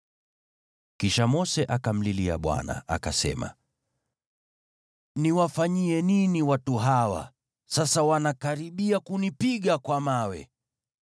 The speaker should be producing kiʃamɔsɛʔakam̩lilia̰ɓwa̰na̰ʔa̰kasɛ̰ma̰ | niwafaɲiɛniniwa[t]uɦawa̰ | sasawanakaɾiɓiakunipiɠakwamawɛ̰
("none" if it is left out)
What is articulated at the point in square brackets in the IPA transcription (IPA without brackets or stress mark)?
t